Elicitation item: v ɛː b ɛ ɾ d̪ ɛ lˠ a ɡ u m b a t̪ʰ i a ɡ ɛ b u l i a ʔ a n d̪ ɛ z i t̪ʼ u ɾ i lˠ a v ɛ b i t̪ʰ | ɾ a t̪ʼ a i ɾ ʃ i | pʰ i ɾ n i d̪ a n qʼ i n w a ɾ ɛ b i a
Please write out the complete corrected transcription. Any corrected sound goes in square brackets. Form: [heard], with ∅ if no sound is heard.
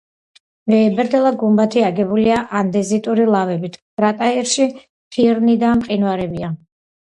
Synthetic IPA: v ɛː b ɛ ɾ d̪ ɛ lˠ a ɡ u m b a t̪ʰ i a ɡ ɛ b u l i a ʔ a n d̪ ɛ z i t̪ʼ u ɾ i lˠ a v ɛ b i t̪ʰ | ɾ a t̪ʼ a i ɾ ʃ i | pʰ i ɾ n i d̪ a [m] qʼ i n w a ɾ ɛ b i a

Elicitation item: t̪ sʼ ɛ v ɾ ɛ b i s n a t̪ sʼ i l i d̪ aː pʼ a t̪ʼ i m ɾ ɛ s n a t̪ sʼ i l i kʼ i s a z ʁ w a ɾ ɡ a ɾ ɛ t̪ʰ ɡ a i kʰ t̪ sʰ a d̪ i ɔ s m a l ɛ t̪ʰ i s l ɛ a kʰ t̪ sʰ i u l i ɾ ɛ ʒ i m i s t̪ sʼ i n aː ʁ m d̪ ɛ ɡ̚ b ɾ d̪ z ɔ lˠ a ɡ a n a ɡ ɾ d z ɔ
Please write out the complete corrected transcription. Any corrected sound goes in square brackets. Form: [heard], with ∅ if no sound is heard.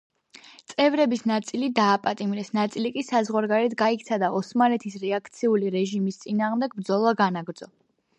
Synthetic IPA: t̪ sʼ ɛ v ɾ ɛ b i s n a t̪ sʼ i l i d̪ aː pʼ a t̪ʼ i m ɾ ɛ s n a t̪ sʼ i l i kʼ i s a z ʁ w a ɾ ɡ a ɾ ɛ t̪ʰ ɡ a i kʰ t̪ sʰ a d̪ [a] ɔ s m a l ɛ t̪ʰ i s [ɾ] ɛ a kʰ t̪ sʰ i u l i ɾ ɛ ʒ i m i s t̪ sʼ i n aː ʁ m d̪ ɛ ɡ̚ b ɾ d̪ z ɔ lˠ a ɡ a n a ɡ ɾ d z ɔ

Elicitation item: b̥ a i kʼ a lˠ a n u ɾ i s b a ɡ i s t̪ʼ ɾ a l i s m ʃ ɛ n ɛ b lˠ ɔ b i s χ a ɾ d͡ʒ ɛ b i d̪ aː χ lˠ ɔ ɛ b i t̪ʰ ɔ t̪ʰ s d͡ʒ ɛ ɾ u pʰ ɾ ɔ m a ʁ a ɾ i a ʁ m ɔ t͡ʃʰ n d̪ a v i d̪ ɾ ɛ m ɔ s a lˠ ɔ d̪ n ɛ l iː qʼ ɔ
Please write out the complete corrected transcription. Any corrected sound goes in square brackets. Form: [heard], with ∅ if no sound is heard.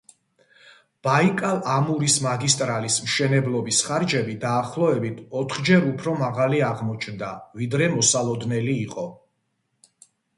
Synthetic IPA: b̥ a i kʼ a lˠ a [m] u ɾ i s [m] a ɡ i s t̪ʼ ɾ a l i s m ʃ ɛ n ɛ b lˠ ɔ b i s χ a ɾ d͡ʒ ɛ b i d̪ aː χ lˠ ɔ ɛ b i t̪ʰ ɔ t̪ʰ [χ] d͡ʒ ɛ ɾ u pʰ ɾ ɔ m a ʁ a [l] i a ʁ m ɔ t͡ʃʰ n d̪ a v i d̪ ɾ ɛ m ɔ s a lˠ ɔ d̪ n ɛ l iː qʼ ɔ

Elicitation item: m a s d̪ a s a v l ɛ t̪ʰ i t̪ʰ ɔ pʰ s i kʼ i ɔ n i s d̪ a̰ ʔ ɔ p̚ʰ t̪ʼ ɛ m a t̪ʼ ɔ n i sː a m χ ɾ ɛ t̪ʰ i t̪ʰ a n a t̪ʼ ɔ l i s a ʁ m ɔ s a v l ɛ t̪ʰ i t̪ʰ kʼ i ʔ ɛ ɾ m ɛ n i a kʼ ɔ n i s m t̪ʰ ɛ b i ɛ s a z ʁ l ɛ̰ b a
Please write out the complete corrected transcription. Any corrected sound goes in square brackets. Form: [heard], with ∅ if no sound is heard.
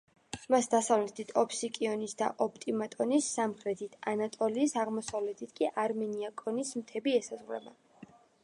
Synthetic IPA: m a s d̪ a s a v l ɛ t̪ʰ i t̪ʰ ɔ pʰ s i kʼ i ɔ n i s d̪ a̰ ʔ ɔ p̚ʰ t̪ʼ [i] m a t̪ʼ ɔ n i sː a m χ ɾ ɛ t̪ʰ i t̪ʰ a n a t̪ʼ ɔ l [iː] s a ʁ m ɔ s a v l ɛ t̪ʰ i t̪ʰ kʼ i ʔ [a] ɾ m ɛ n i a kʼ ɔ n i s m t̪ʰ ɛ b i ɛ s a z ʁ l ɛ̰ b a

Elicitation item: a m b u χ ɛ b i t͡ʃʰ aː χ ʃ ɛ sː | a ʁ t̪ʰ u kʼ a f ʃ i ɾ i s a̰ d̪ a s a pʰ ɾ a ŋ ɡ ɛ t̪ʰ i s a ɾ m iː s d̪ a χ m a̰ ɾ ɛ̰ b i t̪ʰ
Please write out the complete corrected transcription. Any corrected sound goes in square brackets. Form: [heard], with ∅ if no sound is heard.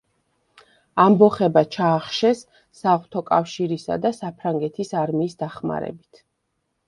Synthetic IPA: a m b [ɔ] χ ɛ b [a] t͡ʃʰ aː χ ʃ ɛ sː | a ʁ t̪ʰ [ɔ] kʼ a f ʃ i ɾ i s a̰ d̪ a s a pʰ ɾ a ŋ ɡ ɛ t̪ʰ i s a ɾ m iː s d̪ a χ m a̰ ɾ ɛ̰ b i t̪ʰ

